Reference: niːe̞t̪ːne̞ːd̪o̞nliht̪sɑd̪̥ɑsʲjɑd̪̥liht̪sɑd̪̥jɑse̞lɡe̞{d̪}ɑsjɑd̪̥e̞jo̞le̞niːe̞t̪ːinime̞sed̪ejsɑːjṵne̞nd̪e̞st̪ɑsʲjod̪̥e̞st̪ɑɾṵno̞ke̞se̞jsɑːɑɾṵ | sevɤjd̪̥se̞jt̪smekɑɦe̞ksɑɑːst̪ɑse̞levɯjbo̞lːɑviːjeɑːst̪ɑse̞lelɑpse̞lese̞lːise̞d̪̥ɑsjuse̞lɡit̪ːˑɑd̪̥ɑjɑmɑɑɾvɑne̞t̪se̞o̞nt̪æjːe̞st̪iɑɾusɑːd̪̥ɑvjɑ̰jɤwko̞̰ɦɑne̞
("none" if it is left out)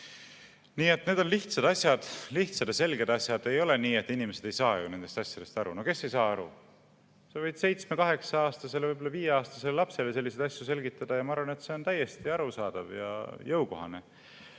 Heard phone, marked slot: d̪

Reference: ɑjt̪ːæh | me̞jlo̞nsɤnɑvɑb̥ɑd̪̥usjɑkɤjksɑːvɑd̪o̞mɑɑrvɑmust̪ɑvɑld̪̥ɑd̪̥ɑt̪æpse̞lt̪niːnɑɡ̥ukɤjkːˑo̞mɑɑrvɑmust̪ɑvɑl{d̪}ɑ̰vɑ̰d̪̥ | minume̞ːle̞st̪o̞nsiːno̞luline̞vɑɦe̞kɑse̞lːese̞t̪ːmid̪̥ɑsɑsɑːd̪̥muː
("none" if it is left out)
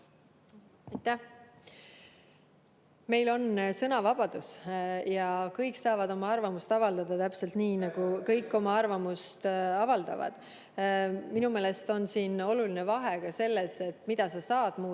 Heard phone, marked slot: d̪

